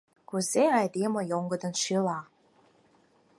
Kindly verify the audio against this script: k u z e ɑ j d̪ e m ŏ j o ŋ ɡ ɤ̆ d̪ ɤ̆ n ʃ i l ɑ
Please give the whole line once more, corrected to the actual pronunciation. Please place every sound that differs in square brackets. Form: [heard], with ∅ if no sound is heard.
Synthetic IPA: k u z e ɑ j d̪ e m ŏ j o ŋ ɡ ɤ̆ d̪ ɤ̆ n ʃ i l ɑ